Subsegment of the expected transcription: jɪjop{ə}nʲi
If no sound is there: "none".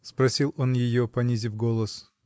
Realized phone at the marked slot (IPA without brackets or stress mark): ɐ